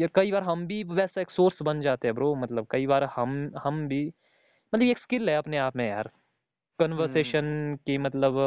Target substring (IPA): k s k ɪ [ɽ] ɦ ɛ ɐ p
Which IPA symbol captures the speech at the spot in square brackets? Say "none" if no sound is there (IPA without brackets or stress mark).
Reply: l